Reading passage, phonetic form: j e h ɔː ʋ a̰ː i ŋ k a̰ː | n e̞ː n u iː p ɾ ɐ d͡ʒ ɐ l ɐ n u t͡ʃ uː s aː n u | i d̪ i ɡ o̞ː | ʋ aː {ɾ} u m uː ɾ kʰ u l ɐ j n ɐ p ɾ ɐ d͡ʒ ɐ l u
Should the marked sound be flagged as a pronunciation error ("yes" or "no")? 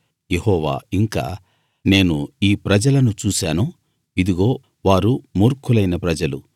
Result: no